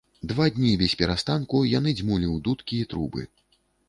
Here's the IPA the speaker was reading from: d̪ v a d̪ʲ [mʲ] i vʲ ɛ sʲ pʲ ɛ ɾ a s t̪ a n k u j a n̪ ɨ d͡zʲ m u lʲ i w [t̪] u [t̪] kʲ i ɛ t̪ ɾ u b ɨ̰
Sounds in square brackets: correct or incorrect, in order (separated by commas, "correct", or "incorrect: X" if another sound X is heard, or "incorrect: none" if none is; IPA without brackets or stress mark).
incorrect: nʲ, incorrect: d̪, correct